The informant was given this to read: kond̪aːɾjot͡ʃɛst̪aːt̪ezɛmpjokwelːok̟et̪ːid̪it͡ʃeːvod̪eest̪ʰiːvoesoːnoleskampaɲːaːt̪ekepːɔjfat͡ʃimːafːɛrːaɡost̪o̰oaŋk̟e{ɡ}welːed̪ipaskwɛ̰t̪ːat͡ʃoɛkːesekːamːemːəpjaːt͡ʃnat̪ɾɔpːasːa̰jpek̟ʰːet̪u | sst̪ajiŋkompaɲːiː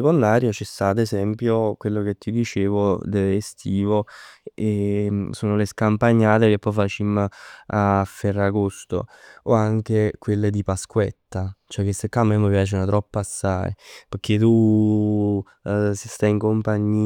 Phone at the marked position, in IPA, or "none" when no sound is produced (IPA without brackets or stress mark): k